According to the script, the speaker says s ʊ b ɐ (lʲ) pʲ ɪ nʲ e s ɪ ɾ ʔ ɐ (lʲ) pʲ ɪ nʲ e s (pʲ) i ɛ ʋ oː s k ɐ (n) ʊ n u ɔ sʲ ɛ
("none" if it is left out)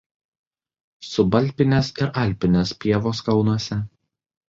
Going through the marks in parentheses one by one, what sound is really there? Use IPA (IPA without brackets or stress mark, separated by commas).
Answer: lʲ, lʲ, pʲ, none